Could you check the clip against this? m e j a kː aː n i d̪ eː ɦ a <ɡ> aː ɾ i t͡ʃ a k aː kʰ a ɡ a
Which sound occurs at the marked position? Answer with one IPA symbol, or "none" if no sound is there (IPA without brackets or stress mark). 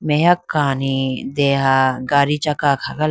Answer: ɡ